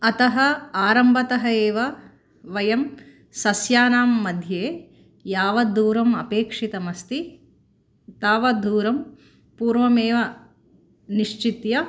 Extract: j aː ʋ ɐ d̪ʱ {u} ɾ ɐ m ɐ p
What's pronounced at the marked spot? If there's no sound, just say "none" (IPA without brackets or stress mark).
uː